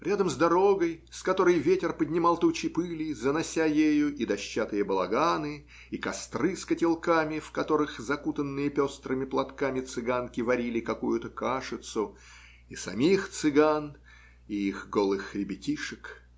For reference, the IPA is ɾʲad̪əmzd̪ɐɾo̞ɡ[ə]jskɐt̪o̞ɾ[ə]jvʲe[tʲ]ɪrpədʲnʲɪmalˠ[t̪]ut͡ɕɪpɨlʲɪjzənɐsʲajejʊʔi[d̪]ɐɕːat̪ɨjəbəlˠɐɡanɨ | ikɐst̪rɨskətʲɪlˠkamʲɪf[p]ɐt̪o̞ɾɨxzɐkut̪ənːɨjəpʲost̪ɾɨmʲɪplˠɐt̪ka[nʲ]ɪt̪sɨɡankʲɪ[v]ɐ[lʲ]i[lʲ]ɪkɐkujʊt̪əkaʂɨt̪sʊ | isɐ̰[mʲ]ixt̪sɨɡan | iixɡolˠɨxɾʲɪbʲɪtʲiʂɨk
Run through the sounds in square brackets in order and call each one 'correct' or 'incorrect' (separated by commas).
correct, correct, correct, correct, correct, incorrect, incorrect, correct, incorrect, correct, correct